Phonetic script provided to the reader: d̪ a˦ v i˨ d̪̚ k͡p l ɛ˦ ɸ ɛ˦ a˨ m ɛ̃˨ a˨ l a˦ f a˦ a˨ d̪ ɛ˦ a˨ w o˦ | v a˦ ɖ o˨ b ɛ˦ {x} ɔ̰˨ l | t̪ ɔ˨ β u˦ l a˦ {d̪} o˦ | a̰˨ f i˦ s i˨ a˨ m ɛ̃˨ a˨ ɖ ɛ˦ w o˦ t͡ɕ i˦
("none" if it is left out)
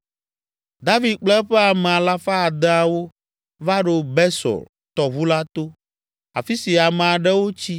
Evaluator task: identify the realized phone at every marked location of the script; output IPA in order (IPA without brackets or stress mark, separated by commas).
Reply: s, t̪